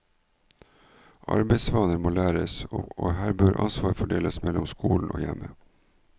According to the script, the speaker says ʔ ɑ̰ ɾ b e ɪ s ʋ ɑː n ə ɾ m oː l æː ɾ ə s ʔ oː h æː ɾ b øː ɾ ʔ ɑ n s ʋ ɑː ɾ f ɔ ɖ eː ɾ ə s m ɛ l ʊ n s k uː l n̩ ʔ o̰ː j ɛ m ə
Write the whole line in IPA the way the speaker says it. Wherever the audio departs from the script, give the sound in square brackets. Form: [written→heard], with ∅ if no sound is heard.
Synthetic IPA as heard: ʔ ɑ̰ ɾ b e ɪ s ʋ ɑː n ə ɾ m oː l æː ɾ ə s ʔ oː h æː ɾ b øː ɾ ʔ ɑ n s ʋ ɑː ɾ f ɔ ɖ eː [ɾ→l] ə s m ɛ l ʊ [n→m] s k uː l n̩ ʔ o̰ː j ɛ m ə